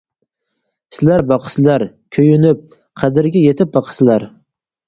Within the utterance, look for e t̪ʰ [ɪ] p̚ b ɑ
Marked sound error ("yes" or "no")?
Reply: no